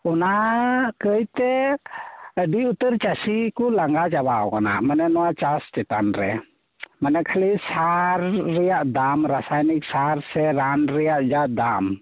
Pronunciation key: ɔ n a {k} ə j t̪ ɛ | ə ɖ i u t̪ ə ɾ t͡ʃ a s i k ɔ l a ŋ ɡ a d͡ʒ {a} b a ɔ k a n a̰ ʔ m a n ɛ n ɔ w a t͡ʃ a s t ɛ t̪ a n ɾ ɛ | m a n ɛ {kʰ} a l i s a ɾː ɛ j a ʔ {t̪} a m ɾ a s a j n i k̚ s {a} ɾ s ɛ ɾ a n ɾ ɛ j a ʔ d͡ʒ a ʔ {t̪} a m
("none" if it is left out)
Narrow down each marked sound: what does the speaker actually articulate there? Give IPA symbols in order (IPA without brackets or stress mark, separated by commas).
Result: k, a, kʰ, d̪, a, d̪